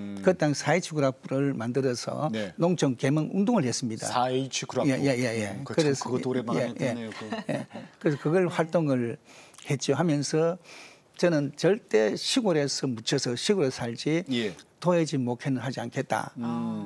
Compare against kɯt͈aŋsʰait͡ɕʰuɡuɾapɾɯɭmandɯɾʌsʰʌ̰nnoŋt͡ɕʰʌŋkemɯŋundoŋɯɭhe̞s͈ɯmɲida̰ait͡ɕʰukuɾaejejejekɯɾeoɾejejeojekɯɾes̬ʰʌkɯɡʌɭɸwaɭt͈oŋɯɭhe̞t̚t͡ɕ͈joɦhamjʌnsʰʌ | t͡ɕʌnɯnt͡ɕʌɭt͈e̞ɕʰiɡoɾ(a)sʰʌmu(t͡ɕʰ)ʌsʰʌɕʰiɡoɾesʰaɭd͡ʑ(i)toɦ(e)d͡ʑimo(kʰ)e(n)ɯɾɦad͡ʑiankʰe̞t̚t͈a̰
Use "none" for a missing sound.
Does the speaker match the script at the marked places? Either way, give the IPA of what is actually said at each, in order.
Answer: e, t͡ɕʰ, i, e, kʰ, n

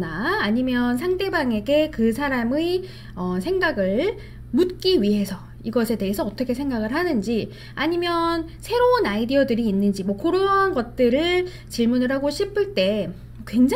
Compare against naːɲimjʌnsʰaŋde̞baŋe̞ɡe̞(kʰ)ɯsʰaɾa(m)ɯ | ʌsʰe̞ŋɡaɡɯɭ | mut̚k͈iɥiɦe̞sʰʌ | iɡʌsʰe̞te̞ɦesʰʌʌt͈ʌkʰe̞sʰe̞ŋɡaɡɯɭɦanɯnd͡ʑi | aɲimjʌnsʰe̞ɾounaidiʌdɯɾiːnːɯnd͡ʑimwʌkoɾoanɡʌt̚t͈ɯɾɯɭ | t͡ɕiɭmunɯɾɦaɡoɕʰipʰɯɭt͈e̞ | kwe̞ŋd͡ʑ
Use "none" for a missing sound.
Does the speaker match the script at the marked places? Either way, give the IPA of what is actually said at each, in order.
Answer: k, m

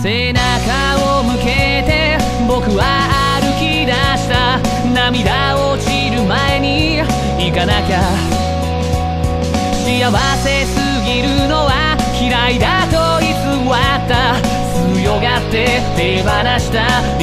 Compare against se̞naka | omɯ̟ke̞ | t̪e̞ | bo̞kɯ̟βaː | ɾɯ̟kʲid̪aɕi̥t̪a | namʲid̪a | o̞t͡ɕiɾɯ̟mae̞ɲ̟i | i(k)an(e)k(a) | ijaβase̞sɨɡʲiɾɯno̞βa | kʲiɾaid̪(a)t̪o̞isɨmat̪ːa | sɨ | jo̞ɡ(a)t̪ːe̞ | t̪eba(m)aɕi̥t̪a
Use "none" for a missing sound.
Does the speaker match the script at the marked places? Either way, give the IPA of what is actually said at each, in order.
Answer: k, a, a, a, a, n

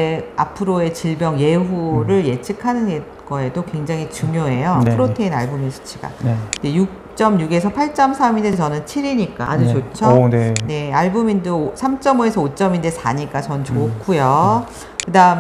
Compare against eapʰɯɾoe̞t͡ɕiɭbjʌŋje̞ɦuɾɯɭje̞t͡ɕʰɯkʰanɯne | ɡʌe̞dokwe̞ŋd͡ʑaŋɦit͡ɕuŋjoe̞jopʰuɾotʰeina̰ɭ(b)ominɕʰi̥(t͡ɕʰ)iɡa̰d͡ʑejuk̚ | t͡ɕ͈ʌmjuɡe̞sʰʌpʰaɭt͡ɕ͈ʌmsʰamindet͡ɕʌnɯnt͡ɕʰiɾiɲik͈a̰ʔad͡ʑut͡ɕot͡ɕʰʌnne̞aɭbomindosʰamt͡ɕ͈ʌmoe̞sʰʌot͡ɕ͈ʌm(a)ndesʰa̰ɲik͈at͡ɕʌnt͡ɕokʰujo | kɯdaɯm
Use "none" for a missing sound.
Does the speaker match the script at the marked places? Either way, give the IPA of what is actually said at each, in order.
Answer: b, t͡ɕʰ, i

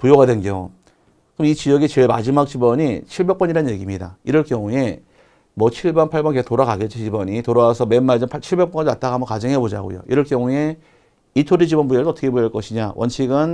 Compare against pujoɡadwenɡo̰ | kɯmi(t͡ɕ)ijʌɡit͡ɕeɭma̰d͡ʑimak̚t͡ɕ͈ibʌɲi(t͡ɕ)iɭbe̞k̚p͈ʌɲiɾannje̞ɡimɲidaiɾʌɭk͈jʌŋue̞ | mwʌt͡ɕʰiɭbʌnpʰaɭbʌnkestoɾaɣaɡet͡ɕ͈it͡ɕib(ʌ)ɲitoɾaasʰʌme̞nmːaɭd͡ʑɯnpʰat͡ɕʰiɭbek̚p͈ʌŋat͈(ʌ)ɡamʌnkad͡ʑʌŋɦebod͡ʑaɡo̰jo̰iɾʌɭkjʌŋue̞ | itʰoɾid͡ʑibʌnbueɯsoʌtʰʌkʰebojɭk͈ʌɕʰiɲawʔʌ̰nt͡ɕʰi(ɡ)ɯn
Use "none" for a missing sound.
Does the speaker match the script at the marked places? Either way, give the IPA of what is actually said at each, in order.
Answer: t͡ɕ, t͡ɕʰ, ʌ, a, ɡ

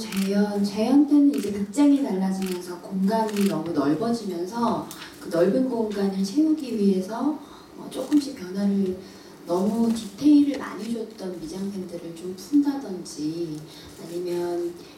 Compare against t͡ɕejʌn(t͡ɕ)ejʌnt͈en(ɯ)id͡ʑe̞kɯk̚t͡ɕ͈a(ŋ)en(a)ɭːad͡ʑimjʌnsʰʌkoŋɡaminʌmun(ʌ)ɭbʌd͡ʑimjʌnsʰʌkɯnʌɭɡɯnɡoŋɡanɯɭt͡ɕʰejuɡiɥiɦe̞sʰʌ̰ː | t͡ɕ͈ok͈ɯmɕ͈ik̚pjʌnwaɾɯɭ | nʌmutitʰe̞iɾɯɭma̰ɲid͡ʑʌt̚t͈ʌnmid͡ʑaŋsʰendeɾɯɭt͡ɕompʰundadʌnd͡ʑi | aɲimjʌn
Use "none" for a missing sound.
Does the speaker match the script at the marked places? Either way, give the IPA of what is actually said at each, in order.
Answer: t͡ɕ, ɯ, ŋ, a, ʌ

